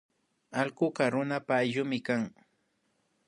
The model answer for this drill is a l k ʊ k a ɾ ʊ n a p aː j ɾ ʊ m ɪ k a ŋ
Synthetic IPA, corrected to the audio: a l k ʊ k a ɾ ʊ n a p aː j ʎ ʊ m ɪ k a ŋ